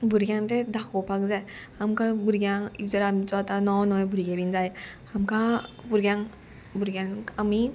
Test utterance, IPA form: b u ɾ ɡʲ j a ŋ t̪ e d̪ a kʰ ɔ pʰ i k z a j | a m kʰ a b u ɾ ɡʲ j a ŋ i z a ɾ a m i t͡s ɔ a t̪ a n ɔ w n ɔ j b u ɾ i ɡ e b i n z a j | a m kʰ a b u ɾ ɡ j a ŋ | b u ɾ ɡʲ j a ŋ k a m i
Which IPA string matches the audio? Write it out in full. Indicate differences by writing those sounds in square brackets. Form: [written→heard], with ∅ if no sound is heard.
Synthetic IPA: b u ɾ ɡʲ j a ŋ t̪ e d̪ a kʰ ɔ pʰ [i→a] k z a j | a m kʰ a b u ɾ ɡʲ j a ŋ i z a ɾ a m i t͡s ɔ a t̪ a n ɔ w n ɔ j b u ɾ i ɡ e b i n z a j | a m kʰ a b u ɾ ɡ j a ŋ | b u ɾ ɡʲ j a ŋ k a m i